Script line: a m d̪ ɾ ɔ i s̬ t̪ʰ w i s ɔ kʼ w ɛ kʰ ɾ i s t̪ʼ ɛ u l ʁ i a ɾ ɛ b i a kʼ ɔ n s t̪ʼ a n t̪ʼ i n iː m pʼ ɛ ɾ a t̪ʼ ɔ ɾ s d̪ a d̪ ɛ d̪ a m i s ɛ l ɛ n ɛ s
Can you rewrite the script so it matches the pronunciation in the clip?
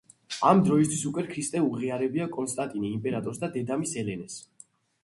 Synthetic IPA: a m d̪ ɾ ɔ i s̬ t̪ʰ w i s u kʼ w ɛ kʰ ɾ i s t̪ʼ ɛ u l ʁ i a ɾ ɛ b i a kʼ ɔ n s t̪ʼ a n t̪ʼ i n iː m pʼ ɛ ɾ a t̪ʼ ɔ ɾ s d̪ a d̪ ɛ d̪ a m i s ɛ l ɛ n ɛ s

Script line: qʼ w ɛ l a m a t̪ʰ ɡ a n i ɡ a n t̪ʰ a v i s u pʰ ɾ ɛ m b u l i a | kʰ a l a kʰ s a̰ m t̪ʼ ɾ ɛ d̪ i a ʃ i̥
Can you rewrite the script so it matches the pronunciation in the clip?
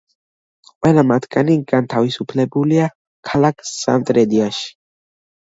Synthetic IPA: qʼ w ɛ l a m a t̪ʰ ɡ a n i ɡ a n t̪ʰ a v i s u pʰ l ɛ b u l i a | kʰ a l a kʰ s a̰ n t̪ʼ ɾ ɛ d̪ i a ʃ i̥

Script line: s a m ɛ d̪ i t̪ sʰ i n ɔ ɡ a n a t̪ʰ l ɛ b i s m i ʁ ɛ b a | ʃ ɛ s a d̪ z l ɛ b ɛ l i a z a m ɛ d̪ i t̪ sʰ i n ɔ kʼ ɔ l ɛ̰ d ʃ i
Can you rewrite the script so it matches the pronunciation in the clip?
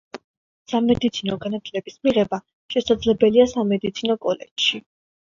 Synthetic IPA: s a m ɛ d̪ i t̪ sʰ i n ɔ ɡ a n a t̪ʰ l ɛ b i s m i ʁ ɛ b a | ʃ ɛ s a d̪ z l ɛ b ɛ l i a s a m ɛ d̪ i t̪ sʰ i n ɔ kʼ ɔ l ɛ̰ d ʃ i

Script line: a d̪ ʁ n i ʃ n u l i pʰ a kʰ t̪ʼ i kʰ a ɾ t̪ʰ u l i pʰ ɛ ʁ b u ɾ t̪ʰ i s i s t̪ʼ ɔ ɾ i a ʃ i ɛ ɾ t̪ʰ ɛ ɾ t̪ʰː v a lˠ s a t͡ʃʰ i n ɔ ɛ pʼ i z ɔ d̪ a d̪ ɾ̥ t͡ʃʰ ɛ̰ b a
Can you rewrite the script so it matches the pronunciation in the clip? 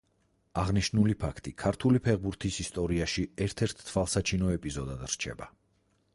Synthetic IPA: a ʁ n i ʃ n u l i pʰ a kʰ t̪ʼ i kʰ a ɾ t̪ʰ u l i pʰ ɛ ʁ b u ɾ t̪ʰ i s i s t̪ʼ ɔ ɾ i a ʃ i ɛ ɾ t̪ʰ ɛ ɾ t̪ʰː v a lˠ s a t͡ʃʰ i n ɔ ɛ pʼ i z ɔ d̪ a d̪ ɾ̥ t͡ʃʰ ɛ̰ b a

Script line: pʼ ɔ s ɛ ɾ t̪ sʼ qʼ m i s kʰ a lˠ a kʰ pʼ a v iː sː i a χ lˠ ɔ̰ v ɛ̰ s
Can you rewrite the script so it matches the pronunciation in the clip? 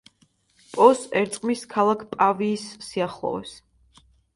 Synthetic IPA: pʼ ɔ s ɛ ɾ t̪ sʼ qʼ m i s kʰ a lˠ a kʰ pʼ a v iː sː i a χ lˠ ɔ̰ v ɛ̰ s

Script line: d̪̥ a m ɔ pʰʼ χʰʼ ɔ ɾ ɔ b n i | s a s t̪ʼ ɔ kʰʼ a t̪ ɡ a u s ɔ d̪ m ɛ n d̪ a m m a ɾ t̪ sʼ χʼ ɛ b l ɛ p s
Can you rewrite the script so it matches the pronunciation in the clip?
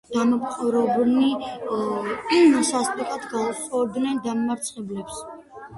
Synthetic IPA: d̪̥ a m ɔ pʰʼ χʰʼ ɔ ɾ ɔ b n i | s a s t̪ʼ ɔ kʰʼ a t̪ ɡ a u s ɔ d̪ n ɛ n d̪ a m m a ɾ t̪ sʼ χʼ ɛ b l ɛ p s

